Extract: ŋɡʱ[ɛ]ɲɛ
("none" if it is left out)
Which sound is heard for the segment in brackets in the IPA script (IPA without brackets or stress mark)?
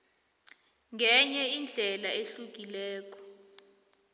ɛ